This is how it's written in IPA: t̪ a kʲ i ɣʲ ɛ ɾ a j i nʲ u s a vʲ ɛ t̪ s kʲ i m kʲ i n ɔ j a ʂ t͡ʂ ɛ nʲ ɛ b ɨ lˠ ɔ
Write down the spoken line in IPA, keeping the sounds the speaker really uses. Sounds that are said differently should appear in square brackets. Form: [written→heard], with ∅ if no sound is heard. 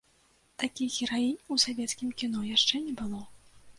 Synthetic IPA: t̪ a kʲ i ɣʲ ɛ ɾ a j i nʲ u s a vʲ ɛ t̪ s kʲ i m kʲ i n ɔ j a ʂ t͡ʂ ɛ nʲ ɛ b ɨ lˠ ɔ